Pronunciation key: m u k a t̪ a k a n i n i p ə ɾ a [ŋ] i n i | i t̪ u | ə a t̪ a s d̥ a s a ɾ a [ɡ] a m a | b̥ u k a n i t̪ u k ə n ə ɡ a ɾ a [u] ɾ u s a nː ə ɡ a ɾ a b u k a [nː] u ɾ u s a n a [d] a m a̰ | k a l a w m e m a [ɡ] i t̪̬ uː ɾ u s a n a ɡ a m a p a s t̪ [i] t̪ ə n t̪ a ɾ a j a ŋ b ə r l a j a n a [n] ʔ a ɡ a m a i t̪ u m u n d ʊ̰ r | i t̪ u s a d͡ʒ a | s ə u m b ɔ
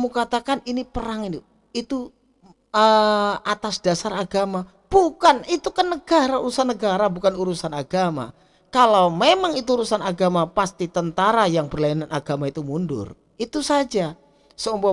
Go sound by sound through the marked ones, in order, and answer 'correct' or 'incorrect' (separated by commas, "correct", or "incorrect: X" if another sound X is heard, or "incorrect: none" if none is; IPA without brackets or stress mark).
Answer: correct, correct, correct, incorrect: n, incorrect: ɡ, incorrect: ŋ, correct, correct